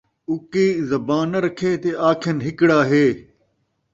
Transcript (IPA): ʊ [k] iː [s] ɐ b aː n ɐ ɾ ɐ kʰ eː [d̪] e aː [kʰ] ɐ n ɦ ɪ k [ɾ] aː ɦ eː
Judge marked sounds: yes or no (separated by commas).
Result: yes, no, no, yes, no